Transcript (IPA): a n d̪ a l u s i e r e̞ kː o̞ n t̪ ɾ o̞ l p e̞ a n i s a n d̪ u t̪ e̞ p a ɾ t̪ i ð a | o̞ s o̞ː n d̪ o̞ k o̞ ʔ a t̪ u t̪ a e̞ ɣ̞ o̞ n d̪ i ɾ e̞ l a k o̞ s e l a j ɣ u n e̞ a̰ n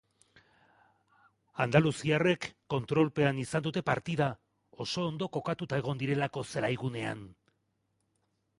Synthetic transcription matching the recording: a n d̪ a l u s i a r e̞ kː o̞ n t̪ ɾ o̞ l p e̞ a n i s a n d̪ u t̪ e̞ p a ɾ t̪ i ð a | o̞ s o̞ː n d̪ o̞ k o̞ k a t̪ u t̪ a e̞ ɣ̞ o̞ n d̪ i ɾ e̞ l a k o̞ s e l a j ɣ u n e̞ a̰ n

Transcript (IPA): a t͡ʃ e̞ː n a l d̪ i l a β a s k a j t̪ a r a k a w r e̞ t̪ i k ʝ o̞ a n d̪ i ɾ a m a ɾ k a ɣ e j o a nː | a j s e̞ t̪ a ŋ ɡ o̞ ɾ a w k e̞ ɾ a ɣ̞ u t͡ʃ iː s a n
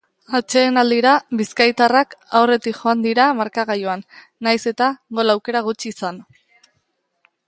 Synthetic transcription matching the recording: a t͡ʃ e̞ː n a l d̪ i ɾ a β i s k a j t̪ a r a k a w r e̞ t̪ i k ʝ o̞ a n d̪ i ɾ a m a ɾ k a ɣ a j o a nː | a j s e̞ t̪ a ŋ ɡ o̞ l a w k e̞ ɾ a ɣ̞ u t͡ʃ iː s a n

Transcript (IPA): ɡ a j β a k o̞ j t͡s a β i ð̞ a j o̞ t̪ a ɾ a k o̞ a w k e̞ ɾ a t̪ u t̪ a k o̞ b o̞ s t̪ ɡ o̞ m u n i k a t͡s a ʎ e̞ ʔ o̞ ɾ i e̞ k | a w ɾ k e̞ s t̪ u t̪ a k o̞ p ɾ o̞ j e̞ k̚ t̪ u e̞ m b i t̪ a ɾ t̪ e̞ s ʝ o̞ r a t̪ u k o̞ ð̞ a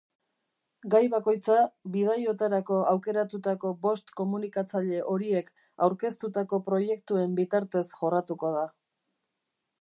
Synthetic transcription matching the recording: ɡ a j β a k o̞ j t͡s a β i ð̞ a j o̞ t̪ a ɾ a k o̞ a w k e̞ ɾ a t̪ u t̪ a k o̞ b o̞ s t̪ k o̞ m u n i k a t͡s a ʎ e̞ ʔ o̞ ɾ i e̞ k | a w ɾ k e̞ s t̪ u t̪ a k o̞ p ɾ o̞ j e̞ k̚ t̪ u e̞ m b i t̪ a ɾ t̪ e̞ s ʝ o̞ r a t̪ u k o̞ ð̞ a

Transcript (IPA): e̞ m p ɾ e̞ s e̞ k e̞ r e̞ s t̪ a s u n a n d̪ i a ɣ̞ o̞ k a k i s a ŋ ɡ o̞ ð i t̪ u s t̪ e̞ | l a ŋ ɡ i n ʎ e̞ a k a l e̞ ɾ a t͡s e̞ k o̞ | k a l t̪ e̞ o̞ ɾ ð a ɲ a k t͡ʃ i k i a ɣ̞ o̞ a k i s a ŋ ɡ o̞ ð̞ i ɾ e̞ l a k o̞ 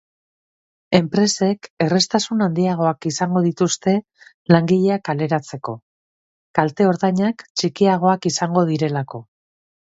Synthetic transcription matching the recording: e̞ m p ɾ e̞ s e̞ k e̞ r e̞ s t̪ a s u n a n d̪ i a ɣ̞ o̞ a k i s a ŋ ɡ o̞ ð i t̪ u s t̪ e̞ | l a ŋ ɡ i ʎ e̞ a k a l e̞ ɾ a t͡s e̞ k o̞ | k a l t̪ e̞ o̞ ɾ ð a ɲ a k t͡ʃ i k i a ɣ̞ o̞ a k i s a ŋ ɡ o̞ ð̞ i ɾ e̞ l a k o̞

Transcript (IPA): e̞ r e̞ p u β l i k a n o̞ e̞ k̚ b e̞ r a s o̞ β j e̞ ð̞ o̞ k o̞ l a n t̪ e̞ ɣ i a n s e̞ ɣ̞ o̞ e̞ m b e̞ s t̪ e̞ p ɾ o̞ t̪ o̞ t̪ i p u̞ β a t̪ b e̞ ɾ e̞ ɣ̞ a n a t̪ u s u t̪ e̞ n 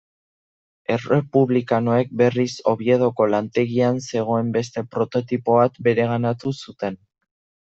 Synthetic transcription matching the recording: e̞ r e̞ p u β l i k a n o̞ e̞ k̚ b e̞ r i s o̞ β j e̞ ð̞ o̞ k o̞ l a n t̪ e̞ ɣ i a n s e̞ ɣ̞ o̞ e̞ m b e̞ s t̪ e̞ p ɾ o̞ t̪ o̞ t̪ i p o̞ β a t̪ b e̞ ɾ e̞ ɣ̞ a n a t̪ u s u t̪ e̞ n

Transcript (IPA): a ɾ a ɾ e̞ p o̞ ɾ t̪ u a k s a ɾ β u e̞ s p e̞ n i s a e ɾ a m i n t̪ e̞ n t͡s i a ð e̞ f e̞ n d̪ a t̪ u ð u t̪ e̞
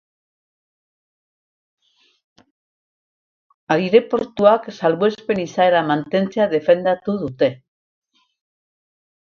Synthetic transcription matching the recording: a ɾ i ɾ e̞ p o̞ ɾ t̪ u a k s a l β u e̞ s p e̞ n i s a e ɾ a m a n t̪ e̞ n t͡s e a ð e̞ f e̞ n d̪ a t̪ u ð u t̪ e̞

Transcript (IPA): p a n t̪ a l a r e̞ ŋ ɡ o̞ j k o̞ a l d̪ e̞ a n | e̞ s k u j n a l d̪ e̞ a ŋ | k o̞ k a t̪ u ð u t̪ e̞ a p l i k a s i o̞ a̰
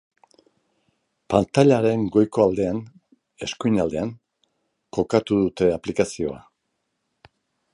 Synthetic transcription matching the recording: p a n t̪ a ʎ a ɾ e̞ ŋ ɡ o̞ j k o̞ a l d̪ e̞ a n | e̞ s k u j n a l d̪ e̞ a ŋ | k o̞ k a t̪ u ð u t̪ e̞ a p l i k a s i o̞ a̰

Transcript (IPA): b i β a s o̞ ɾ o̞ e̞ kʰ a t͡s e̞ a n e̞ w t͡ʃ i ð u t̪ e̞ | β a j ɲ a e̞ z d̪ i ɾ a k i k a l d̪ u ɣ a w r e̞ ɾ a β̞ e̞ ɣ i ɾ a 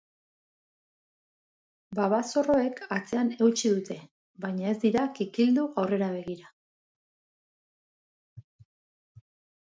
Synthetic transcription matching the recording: b a β a s o̞ r o̞ e̞ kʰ a t͡s e̞ a n e̞ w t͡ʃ i ð u t̪ e̞ | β a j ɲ a e̞ z d̪ i ɾ a k i k i l d̪ u ɣ a w r e̞ ɾ a β̞ e̞ ɣ i ɾ a

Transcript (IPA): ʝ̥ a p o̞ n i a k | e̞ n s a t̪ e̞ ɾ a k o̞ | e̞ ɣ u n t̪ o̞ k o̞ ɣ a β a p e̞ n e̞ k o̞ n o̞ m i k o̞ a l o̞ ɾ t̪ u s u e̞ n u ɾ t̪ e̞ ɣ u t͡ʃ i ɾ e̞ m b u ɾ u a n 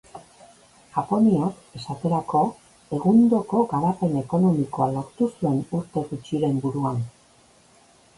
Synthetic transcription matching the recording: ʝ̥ a p o̞ n i a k | e̞ s a t̪ e̞ ɾ a k o̞ | e̞ ɣ u n d̪ o̞ k o̞ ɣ a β a p e̞ n e̞ k o̞ n o̞ m i k o̞ a l o̞ ɾ t̪ u s u e̞ n u ɾ t̪ e̞ ɣ u t͡ʃ i ɾ e̞ m b u ɾ u a n

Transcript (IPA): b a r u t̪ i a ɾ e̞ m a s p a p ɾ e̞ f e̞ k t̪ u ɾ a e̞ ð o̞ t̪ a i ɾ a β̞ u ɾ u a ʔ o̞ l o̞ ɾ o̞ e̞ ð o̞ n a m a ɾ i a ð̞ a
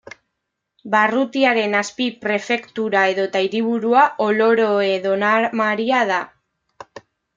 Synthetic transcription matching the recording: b a r u t̪ i a ɾ e̞ n a s p i p ɾ e̞ f e̞ k t̪ u ɾ a e̞ ð o̞ t̪ a i ɾ i β̞ u ɾ u a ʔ o̞ l o̞ ɾ o̞ e̞ ð o̞ n a m a ɾ i a ð̞ a

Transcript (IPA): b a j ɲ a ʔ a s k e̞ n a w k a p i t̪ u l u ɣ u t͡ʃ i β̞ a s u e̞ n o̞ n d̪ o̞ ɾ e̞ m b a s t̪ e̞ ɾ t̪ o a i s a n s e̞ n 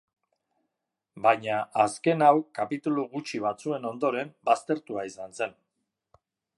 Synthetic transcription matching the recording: b a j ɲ a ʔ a s k e̞ n a w k a p i t̪ u l u ɣ u t͡ʃ i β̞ a t͡s u e̞ n o̞ n d̪ o̞ ɾ e̞ m b a s t̪ e̞ ɾ t̪ u a i s a n s e̞ n

